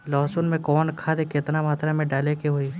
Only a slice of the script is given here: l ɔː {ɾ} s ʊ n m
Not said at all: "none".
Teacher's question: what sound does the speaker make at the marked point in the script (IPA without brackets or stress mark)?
none